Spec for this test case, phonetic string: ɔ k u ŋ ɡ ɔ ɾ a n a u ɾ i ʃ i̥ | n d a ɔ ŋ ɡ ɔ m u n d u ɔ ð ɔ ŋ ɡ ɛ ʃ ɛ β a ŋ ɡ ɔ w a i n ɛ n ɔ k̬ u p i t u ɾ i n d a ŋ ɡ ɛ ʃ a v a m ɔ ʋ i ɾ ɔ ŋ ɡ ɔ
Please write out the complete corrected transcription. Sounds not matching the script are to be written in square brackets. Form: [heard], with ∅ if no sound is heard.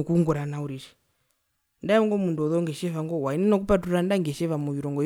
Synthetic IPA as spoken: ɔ k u ŋ ɡ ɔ ɾ a n a u ɾ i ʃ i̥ | n d a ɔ ŋ ɡ ɔ m u n d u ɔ ð ɔ ŋ ɡ ɛ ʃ ɛ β a ŋ ɡ ɔ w a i n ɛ n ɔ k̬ u p [a] t u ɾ [a] n d a ŋ ɡ ɛ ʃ [ɛ] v a m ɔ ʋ i ɾ ɔ ŋ ɡ ɔ